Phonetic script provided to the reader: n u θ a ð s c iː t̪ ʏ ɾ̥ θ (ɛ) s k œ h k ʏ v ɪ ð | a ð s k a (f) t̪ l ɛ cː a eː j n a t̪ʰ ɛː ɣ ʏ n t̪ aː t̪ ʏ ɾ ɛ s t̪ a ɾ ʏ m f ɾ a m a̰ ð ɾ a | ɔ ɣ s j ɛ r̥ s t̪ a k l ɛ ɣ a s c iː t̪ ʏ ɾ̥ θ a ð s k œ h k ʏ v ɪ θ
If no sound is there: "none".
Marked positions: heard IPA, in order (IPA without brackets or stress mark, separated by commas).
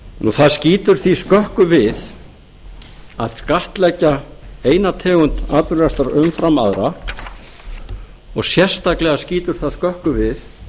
i, h